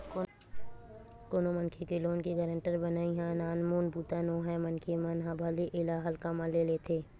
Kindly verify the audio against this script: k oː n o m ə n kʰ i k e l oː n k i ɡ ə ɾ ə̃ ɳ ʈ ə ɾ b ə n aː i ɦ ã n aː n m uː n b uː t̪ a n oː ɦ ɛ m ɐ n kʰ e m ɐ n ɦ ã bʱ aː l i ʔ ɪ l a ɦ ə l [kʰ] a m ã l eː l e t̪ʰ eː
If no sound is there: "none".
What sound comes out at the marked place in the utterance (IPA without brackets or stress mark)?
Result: k